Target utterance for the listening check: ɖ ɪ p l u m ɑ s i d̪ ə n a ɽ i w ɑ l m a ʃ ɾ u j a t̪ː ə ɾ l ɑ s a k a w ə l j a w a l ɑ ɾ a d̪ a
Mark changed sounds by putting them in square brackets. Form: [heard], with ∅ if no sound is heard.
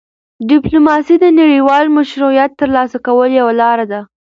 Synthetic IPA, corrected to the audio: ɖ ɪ p l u m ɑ s i d̪ ə n a ɽ i w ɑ l m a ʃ ɾ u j a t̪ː ə ɾ l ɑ s a k a w ə l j a w a l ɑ ɾ a d̪ a